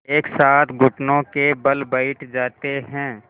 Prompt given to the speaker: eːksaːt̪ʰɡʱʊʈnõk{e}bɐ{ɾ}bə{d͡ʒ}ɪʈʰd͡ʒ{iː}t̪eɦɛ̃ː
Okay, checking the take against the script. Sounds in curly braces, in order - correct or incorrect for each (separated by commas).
correct, incorrect, incorrect, incorrect